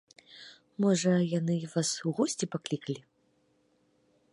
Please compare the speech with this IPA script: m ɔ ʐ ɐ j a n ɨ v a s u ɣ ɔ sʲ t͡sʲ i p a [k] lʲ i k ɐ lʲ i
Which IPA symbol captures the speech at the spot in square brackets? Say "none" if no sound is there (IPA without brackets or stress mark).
k